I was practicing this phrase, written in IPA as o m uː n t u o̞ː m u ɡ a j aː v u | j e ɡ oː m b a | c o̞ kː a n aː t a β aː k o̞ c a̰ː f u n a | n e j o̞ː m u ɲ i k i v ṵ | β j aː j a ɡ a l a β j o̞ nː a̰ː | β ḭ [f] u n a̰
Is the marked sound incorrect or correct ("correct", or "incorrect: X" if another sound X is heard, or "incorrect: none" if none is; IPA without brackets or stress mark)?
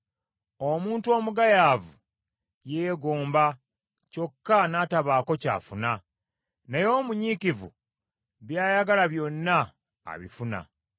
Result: correct